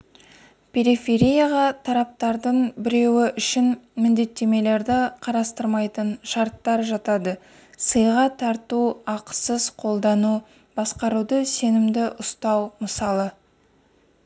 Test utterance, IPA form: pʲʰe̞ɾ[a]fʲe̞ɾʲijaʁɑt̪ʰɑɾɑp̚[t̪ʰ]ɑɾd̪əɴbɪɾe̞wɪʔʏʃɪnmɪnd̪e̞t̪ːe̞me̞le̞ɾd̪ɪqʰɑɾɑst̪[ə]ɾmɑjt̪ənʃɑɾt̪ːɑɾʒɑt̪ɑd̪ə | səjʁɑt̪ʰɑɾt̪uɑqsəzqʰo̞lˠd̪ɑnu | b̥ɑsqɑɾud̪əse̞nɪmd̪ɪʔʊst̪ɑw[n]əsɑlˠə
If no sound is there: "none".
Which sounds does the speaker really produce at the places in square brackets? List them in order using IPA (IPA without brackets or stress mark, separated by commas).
i, t̪, ə, m